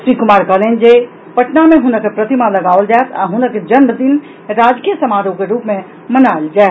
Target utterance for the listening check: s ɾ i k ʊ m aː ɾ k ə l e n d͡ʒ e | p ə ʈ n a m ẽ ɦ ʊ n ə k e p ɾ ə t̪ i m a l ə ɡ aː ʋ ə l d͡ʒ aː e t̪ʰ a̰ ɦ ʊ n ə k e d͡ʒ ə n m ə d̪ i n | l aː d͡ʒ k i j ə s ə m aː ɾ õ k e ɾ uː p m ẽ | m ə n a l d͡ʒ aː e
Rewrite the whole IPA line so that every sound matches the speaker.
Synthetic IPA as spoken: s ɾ i k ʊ m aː ɾ k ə l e n d͡ʒ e | p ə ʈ n a m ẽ ɦ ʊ n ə k e p ɾ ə t̪ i m a l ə ɡ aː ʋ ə l d͡ʒ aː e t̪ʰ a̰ ɦ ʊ n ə k e d͡ʒ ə n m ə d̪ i n | ɾ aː d͡ʒ k i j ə s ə m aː ɾ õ k e ɾ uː p m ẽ | m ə n a l d͡ʒ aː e